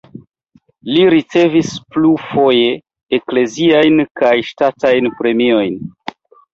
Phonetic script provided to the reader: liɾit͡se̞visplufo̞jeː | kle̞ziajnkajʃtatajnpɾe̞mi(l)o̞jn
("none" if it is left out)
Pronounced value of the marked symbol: none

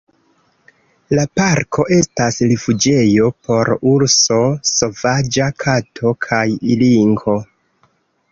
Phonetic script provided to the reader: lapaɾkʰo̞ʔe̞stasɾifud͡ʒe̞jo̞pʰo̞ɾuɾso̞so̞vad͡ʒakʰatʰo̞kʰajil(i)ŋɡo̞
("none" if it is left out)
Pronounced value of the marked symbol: i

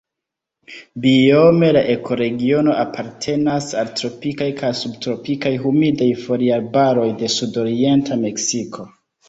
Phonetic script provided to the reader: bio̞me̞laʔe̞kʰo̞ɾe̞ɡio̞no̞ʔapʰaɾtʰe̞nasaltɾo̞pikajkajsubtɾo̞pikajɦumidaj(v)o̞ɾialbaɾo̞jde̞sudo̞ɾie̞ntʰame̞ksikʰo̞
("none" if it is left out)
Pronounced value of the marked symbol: f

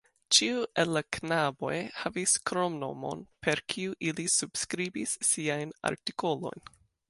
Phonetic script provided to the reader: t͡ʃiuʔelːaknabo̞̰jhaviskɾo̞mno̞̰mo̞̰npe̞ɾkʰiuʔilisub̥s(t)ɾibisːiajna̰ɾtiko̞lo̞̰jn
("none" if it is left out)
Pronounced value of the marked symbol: k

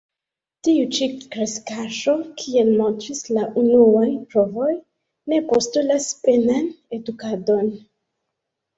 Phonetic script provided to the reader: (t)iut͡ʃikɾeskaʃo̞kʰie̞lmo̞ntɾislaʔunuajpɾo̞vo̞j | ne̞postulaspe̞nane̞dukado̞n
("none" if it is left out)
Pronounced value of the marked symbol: t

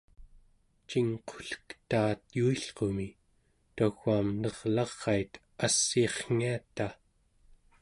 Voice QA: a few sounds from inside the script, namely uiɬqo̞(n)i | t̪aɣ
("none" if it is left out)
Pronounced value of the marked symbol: m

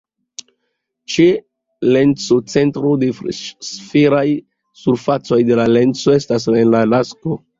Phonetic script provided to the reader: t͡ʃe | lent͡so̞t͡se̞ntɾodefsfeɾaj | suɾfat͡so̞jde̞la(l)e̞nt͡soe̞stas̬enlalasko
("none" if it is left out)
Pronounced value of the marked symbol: l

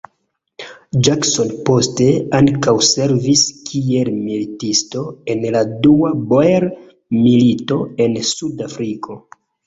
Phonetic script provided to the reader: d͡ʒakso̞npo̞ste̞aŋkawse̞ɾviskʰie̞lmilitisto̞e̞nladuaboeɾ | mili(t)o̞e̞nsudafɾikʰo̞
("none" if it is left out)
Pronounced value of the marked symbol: t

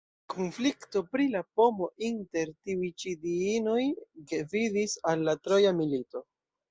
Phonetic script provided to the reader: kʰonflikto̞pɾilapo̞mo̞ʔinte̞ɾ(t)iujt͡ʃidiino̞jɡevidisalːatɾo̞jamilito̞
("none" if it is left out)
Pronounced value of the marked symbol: t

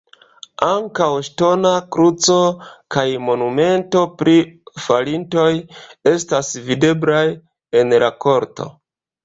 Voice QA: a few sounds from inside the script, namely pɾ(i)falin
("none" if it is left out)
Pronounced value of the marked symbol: i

